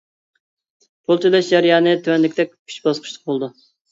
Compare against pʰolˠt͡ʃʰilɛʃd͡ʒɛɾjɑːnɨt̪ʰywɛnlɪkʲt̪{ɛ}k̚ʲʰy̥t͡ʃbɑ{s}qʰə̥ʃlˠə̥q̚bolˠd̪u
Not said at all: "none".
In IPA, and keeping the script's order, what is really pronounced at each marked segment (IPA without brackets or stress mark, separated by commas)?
ɛ, s